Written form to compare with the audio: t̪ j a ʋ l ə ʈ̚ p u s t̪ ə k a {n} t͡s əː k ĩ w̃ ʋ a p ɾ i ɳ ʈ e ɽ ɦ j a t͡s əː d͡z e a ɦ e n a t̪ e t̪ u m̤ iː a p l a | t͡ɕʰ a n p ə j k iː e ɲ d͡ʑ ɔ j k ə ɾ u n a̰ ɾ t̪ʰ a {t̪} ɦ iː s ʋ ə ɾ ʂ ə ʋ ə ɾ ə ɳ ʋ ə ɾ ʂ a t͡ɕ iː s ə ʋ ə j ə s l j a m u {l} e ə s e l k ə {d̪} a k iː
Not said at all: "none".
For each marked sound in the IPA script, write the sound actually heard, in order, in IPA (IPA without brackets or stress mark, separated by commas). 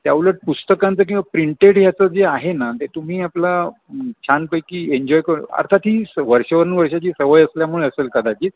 n, t̪, ɭ, d̪